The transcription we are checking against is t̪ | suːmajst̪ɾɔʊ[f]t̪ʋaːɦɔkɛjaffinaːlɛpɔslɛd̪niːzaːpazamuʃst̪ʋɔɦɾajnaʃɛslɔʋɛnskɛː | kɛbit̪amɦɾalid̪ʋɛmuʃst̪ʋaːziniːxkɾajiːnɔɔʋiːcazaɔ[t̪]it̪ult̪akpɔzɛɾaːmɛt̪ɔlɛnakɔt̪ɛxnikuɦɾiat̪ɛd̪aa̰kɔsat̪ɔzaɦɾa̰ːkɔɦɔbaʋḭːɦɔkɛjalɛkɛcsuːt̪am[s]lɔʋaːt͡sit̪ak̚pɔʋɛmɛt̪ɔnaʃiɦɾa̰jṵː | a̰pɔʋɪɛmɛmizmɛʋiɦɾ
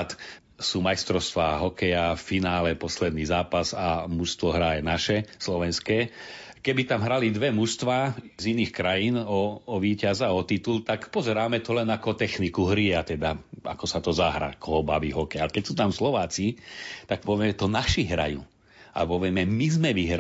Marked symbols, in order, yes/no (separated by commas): no, yes, yes